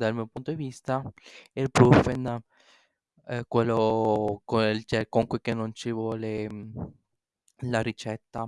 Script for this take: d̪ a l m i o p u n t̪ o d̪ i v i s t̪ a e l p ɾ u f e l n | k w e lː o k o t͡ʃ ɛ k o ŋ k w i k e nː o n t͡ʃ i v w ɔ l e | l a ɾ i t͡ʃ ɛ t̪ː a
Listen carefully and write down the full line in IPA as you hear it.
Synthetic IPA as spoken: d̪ a l m i o p u n t̪ o d̪ i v i s t̪ a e l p ɾ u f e n | k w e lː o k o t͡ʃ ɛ k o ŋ k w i k e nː o n t͡ʃ i v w ɔ l e | l a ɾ i t͡ʃ ɛ t̪ː a